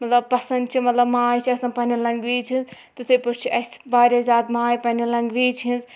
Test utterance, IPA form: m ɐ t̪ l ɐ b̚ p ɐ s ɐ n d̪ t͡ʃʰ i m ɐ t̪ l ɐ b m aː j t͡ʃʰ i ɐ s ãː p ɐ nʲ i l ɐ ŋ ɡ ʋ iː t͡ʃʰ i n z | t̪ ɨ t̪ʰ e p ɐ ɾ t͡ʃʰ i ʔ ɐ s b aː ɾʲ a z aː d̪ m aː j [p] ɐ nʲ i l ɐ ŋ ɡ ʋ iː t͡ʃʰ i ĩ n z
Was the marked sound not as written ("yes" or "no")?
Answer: no